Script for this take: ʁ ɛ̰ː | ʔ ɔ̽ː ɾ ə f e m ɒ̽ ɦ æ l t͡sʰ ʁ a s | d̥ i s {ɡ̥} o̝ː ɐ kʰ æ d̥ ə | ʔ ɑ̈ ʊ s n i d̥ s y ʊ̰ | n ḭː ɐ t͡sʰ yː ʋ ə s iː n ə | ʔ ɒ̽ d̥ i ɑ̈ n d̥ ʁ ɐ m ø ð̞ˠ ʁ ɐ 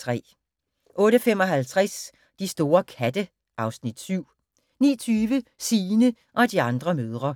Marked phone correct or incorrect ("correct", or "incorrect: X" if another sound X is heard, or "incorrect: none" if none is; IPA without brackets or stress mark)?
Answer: incorrect: d̥